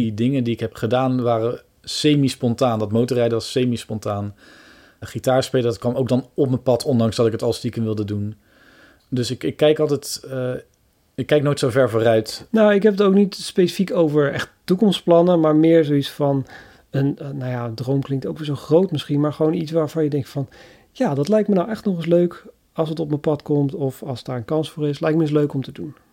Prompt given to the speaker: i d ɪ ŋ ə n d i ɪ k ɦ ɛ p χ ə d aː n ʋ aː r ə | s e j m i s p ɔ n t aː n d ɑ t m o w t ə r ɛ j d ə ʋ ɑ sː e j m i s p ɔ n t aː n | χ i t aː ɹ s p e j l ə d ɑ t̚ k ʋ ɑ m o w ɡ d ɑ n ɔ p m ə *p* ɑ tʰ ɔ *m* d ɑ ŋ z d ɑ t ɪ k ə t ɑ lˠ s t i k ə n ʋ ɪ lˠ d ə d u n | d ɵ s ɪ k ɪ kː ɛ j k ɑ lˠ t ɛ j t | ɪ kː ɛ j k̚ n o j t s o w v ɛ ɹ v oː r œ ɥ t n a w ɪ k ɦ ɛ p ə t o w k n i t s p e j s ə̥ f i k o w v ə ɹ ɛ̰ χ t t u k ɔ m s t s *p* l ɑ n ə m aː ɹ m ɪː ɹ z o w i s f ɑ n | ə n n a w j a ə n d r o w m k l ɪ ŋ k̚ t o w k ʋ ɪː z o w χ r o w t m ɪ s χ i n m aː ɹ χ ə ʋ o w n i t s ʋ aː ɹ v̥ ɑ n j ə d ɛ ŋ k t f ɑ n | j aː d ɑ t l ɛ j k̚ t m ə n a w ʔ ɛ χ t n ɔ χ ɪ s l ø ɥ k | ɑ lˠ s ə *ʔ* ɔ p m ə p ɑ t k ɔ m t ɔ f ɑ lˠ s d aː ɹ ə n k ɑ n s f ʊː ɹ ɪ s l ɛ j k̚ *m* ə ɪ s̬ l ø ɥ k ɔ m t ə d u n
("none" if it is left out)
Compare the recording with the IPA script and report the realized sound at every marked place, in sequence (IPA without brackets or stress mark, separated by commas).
p, n, p, t, m